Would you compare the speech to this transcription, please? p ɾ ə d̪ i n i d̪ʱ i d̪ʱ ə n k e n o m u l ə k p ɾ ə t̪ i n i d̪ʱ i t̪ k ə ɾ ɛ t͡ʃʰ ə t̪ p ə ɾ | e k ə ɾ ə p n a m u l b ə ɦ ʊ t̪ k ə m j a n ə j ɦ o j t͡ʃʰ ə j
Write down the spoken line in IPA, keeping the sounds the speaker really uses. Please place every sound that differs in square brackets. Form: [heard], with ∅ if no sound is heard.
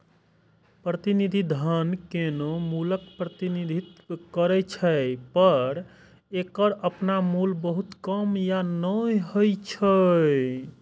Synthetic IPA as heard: p ɾ ə [t̪] i n i d̪ʱ i d̪ʱ ə n k e n o m u l ə k p ɾ ə t̪ i n i d̪ʱ i t̪ k ə ɾ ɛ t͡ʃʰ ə [∅] p ə ɾ | e k ə ɾ ə p n a m u l b ə ɦ [u] t̪ k ə m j a n ə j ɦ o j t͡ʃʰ ə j